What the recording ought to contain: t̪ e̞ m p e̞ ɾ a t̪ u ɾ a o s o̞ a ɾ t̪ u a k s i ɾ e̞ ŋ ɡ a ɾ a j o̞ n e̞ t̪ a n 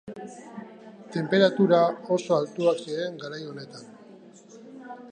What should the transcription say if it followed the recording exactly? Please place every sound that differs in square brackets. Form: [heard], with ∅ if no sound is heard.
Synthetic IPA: t̪ e̞ m p e̞ ɾ a t̪ u ɾ a o s o̞ a [l] t̪ u a k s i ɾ e̞ ŋ ɡ a ɾ a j o̞ n e̞ t̪ a n